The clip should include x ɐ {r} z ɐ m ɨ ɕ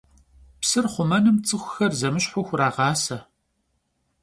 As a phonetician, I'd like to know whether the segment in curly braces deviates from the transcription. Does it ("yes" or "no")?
no